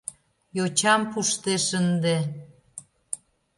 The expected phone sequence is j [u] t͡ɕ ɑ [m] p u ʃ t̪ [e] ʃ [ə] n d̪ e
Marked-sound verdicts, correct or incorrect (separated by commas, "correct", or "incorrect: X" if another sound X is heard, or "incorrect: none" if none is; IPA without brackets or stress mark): incorrect: o, correct, correct, correct